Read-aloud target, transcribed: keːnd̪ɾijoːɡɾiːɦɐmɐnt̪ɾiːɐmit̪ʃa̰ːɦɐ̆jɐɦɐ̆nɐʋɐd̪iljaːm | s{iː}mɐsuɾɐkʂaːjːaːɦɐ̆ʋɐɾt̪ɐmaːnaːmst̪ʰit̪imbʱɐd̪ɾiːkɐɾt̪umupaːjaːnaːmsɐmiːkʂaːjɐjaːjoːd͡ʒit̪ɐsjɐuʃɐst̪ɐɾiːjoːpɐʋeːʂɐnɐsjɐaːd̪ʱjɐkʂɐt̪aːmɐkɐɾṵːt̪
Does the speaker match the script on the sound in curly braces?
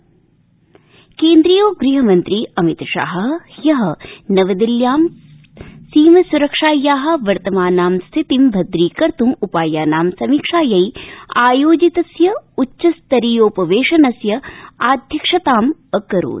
yes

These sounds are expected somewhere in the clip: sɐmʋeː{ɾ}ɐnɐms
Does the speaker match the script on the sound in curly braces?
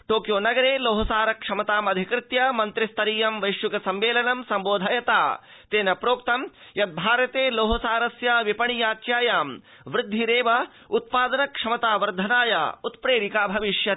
no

